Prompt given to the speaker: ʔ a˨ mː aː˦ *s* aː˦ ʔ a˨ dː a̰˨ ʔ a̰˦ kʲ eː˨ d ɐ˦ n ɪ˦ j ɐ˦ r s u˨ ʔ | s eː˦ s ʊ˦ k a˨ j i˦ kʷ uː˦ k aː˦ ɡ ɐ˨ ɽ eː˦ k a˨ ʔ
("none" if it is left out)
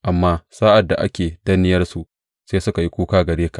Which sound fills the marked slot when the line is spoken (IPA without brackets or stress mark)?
s